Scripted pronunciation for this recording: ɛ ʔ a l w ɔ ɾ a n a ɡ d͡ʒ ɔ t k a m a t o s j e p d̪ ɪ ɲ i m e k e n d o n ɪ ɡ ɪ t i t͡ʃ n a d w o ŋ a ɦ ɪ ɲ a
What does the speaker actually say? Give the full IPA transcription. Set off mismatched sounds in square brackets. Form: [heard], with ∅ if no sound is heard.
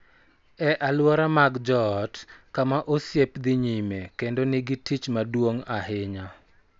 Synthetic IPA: ɛ ʔ a l w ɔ ɾ a [m] a ɡ d͡ʒ ɔ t k a m a [ʔ] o s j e p d̪ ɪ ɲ i m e k e n d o n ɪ ɡ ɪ t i t͡ʃ [m] a d w o ŋ a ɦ ɪ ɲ a